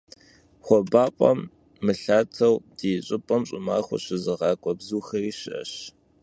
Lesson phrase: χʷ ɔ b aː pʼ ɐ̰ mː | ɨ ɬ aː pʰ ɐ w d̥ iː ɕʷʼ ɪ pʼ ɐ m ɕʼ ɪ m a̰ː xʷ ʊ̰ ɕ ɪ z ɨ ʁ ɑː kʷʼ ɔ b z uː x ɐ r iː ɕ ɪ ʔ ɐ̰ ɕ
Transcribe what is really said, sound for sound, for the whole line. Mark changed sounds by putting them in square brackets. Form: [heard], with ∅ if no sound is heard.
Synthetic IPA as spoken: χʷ ɔ b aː pʼ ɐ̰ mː | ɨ ɬ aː [tʰ] ɐ w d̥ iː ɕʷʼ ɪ pʼ ɐ m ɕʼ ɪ m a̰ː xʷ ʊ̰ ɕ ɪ z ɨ ʁ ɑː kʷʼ ɔ b z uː x ɐ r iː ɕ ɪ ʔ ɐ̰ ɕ